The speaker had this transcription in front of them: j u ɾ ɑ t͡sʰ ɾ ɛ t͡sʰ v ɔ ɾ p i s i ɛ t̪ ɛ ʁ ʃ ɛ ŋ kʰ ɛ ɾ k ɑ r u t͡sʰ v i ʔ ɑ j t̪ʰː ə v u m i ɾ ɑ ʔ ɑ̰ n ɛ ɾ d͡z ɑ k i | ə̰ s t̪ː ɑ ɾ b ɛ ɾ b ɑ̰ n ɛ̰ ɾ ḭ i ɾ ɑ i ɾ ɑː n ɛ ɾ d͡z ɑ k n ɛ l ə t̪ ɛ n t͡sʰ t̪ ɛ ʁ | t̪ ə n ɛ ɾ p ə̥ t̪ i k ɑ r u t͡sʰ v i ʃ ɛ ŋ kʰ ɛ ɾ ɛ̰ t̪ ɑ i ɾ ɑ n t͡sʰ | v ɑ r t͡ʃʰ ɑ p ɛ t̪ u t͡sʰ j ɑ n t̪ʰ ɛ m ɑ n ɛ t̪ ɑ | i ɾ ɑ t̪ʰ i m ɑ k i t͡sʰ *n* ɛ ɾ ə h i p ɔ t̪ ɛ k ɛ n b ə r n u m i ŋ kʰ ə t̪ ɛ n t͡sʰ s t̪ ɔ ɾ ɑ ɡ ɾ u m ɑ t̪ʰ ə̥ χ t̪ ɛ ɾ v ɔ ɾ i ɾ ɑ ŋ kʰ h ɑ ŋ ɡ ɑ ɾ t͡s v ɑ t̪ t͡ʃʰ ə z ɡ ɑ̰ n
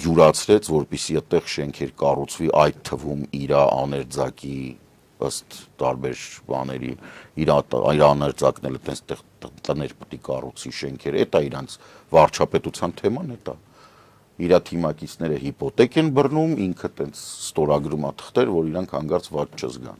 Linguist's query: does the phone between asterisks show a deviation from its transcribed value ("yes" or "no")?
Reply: no